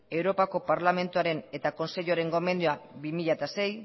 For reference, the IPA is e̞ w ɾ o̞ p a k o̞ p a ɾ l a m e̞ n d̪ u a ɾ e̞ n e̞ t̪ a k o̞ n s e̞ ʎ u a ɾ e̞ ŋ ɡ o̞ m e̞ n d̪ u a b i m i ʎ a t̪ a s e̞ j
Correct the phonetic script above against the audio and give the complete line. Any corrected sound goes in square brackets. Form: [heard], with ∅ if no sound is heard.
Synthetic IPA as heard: e̞ w ɾ o̞ p a k o̞ p a ɾ l a m e̞ n [t̪] u a ɾ e̞ n e̞ t̪ a k o̞ n s e̞ ʎ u a ɾ e̞ ŋ ɡ o̞ m e̞ n d̪ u a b i m i ʎ a t̪ a s e̞ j

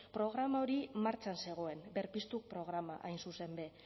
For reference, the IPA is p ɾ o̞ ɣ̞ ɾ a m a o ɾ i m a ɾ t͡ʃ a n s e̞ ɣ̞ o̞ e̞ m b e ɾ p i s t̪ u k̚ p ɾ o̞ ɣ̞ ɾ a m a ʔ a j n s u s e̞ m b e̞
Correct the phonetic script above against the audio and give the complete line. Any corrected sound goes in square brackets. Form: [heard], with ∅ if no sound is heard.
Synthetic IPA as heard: p ɾ o̞ ɣ̞ ɾ a m a o ɾ i m a ɾ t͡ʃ a n s e̞ ɣ̞ o̞ e̞ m b e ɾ p i s t̪ u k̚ p ɾ o̞ ɣ̞ ɾ a m a ʔ a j n s u s e̞ m b e̞

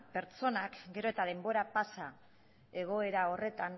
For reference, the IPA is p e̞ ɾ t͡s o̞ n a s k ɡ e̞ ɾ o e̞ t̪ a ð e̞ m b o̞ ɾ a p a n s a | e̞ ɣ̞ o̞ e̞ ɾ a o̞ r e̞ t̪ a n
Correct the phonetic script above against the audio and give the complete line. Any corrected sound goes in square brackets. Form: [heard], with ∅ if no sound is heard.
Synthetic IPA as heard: p e̞ ɾ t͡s o̞ n a [∅] k ɡ e̞ ɾ o e̞ t̪ a ð e̞ m b o̞ ɾ a p a [∅] s a | e̞ ɣ̞ o̞ e̞ ɾ a o̞ r e̞ t̪ a n

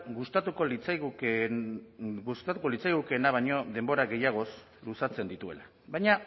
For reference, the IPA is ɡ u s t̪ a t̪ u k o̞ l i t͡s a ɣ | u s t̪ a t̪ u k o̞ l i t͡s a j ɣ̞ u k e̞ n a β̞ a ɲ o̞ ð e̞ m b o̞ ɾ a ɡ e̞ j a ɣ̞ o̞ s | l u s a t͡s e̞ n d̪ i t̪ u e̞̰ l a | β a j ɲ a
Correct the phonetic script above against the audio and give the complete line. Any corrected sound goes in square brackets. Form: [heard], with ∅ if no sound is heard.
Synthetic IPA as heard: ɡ u s t̪ a t̪ u k o̞ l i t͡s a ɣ | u s t̪ a t̪ u k o̞ l i t͡s a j ɣ̞ u k e̞ n a β̞ a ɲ o̞ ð e̞ m b o̞ ɾ a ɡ e̞ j a ɣ̞ o̞ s | l u s a t͡s e̞ n d̪ i t̪ u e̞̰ l a | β a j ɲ a

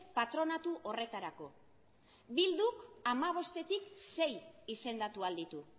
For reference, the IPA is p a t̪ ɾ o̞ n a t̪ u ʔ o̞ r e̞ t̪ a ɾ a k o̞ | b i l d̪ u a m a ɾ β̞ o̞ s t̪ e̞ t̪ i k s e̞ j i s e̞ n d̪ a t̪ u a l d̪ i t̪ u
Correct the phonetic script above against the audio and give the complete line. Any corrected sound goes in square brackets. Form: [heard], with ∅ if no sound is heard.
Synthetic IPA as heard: p a t̪ ɾ o̞ n a t̪ u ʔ o̞ r e̞ t̪ a ɾ a k o̞ | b i l d̪ u a m a [∅] β̞ o̞ s t̪ e̞ t̪ i k s e̞ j i s e̞ n d̪ a t̪ u a l d̪ i t̪ u

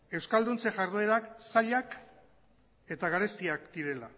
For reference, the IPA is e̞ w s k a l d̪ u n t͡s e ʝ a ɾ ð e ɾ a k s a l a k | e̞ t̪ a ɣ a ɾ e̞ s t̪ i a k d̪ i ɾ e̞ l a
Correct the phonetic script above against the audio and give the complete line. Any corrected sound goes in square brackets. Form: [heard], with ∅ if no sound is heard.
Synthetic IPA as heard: e̞ w s k a l d̪ u n t͡s e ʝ a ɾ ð e ɾ a k s a [ʎ] a k | e̞ t̪ a ɣ a ɾ e̞ s t̪ i a k d̪ i ɾ e̞ l a

